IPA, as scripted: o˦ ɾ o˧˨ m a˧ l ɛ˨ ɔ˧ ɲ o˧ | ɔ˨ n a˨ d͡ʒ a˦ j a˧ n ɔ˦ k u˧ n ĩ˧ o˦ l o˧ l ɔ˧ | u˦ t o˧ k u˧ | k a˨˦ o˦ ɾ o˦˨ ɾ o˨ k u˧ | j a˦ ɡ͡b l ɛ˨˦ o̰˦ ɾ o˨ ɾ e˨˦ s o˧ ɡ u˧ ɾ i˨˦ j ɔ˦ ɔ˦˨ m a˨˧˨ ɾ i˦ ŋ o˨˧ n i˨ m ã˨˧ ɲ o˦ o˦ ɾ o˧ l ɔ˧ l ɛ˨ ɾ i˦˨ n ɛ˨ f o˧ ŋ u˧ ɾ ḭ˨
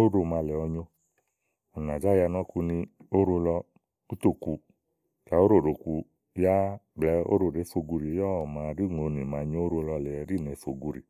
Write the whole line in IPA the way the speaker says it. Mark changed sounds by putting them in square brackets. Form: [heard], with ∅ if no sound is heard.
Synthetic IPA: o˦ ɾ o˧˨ m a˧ l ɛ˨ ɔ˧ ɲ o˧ | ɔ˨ n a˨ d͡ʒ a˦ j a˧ n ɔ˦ k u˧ n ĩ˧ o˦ [ɾ] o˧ l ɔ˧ | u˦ t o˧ k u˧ | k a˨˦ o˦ ɾ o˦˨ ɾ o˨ k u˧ | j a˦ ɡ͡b l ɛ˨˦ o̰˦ ɾ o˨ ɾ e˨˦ [f] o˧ ɡ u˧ ɾ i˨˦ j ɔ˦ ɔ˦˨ m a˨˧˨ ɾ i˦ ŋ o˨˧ n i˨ m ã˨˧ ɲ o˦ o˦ ɾ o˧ l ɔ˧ l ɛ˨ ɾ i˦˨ n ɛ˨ f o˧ [ɡ] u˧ ɾ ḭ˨